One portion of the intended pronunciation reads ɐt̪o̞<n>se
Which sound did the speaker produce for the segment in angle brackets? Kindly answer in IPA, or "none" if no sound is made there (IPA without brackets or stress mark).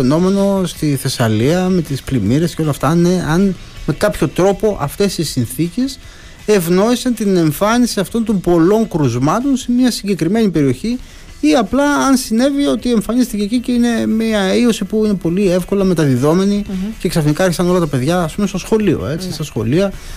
n